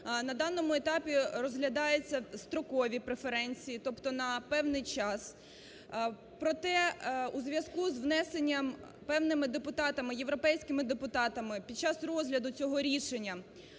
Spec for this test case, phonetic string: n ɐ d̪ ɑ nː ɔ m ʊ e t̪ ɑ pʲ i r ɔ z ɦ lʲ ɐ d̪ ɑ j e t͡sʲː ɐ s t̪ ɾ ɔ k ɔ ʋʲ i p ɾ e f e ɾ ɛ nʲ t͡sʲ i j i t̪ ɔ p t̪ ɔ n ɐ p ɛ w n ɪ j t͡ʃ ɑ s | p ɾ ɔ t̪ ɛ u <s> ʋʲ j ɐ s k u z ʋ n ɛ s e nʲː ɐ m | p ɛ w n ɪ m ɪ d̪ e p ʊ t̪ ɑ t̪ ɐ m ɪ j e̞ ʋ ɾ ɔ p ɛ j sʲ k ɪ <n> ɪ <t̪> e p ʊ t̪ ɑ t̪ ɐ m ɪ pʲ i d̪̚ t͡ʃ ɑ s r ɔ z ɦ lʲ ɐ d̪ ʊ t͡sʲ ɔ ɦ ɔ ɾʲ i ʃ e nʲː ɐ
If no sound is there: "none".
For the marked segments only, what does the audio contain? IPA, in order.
z, m, d̪

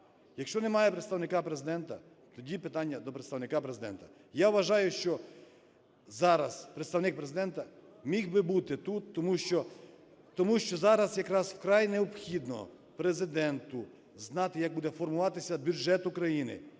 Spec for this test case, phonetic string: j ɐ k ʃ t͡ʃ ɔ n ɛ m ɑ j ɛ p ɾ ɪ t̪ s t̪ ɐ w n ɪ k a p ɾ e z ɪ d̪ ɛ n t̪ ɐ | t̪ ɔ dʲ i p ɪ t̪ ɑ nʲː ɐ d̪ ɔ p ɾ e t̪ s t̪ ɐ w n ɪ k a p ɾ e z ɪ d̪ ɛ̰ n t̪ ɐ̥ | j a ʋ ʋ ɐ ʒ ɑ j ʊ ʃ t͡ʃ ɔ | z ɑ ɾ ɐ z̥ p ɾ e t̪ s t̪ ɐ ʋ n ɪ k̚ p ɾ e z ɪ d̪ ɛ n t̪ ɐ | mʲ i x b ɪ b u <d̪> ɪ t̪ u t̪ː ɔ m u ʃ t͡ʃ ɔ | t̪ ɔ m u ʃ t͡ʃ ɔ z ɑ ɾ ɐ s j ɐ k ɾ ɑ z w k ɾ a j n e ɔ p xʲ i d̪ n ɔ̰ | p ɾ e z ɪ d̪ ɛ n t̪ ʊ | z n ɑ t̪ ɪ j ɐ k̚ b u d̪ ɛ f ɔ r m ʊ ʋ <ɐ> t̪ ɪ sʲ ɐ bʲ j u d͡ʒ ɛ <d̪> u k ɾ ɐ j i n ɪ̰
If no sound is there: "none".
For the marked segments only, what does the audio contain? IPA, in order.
t̪, ɑ, t̪

